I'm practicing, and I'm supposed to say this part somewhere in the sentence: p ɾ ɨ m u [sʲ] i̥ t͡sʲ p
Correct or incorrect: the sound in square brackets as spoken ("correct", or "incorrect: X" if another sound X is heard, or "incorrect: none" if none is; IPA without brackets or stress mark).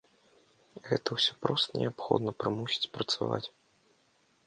correct